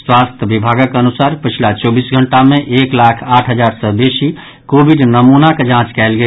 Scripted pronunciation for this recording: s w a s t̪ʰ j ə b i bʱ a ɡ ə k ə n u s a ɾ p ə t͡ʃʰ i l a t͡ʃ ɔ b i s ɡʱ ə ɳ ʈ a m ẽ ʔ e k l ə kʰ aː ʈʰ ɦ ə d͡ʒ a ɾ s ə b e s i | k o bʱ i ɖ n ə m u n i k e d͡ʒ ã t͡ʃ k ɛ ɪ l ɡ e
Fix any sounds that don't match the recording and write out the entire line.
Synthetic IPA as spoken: s w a s t̪ʰ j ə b i bʱ a ɡ ə k ə n u s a ɾ p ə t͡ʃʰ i l a t͡ʃ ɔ b i s ɡʱ ə ɳ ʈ a m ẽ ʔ e k l a kʰ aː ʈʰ ɦ ə d͡ʒ a ɾ s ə b e s i | k o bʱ i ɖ n ə m u n a k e d͡ʒ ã t͡ʃ k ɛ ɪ l ɡ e